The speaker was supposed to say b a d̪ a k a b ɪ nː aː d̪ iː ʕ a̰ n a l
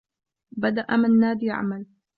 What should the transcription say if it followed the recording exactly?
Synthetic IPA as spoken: b a d̪ a ʔ a m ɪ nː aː d̪ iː ʕ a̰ m a l